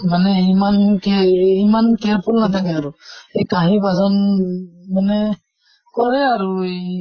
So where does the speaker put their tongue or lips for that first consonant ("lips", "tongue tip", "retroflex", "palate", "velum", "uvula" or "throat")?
lips